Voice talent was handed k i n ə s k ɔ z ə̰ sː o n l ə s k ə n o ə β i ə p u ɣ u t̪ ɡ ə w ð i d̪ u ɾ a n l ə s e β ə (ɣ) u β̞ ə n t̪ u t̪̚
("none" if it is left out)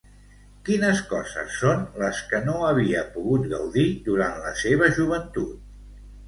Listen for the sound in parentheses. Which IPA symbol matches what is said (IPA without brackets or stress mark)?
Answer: ʒ